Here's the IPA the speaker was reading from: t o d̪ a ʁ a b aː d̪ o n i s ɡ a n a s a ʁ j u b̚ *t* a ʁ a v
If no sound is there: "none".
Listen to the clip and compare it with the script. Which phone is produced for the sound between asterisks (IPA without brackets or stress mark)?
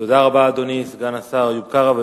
k